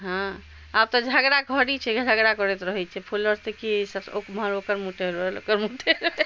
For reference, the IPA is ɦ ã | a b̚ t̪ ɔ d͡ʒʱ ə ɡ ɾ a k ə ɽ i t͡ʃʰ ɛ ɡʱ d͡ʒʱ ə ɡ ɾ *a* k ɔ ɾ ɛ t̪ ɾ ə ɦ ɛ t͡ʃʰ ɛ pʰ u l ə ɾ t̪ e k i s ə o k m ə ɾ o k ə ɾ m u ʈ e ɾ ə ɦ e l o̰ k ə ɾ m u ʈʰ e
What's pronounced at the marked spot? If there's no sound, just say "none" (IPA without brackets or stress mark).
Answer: a